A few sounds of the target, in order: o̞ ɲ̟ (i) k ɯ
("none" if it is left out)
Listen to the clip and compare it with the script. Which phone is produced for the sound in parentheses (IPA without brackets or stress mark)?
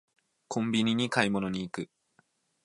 iː